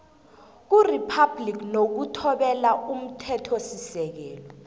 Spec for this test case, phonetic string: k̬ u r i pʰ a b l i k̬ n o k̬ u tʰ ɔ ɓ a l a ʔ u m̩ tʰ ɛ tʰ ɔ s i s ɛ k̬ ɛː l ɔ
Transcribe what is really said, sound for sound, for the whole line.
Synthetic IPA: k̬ u r i pʰ a b l i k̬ n o k̬ u tʰ ɔ ɓ ɛ l a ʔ u m̩ tʰ ɛ tʰ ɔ s i s ɛ k̬ ɛː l ɔ